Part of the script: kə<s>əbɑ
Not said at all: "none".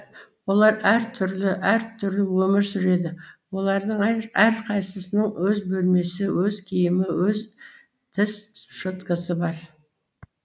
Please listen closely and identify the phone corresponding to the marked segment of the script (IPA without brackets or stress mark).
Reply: s